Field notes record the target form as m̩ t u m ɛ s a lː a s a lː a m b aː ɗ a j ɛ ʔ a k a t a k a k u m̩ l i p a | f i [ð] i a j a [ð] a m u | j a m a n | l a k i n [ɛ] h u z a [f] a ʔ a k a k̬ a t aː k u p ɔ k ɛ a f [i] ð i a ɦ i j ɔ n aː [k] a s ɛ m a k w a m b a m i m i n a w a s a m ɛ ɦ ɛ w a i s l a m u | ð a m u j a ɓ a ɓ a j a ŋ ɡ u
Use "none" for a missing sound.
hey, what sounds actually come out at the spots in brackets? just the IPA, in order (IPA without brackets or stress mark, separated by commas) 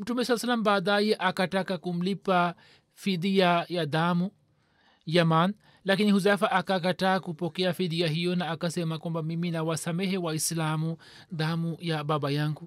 ð, ð, i, f, i, k